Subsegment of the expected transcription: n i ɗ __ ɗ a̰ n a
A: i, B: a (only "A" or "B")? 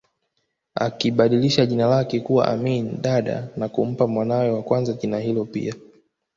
B